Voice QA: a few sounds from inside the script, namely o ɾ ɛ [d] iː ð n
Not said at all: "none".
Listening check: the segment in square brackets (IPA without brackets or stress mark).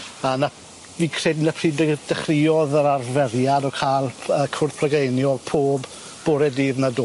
d